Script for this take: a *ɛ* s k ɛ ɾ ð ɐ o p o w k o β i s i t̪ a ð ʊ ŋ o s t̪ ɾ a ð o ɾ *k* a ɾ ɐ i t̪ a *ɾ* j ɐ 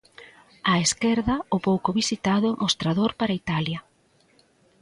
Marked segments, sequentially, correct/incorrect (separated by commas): incorrect, incorrect, incorrect